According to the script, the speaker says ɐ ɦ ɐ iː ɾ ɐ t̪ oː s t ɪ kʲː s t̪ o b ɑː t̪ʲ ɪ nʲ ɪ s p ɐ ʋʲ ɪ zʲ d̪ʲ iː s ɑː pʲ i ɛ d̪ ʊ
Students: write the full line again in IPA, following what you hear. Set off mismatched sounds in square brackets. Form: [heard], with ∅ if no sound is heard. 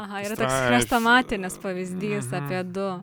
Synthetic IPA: ɐ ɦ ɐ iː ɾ ɐ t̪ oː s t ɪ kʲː s t̪ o [m] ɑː t̪ʲ ɪ nʲ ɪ s p ɐ ʋʲ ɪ zʲ d̪ʲ iː s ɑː pʲ i ɛ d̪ ʊ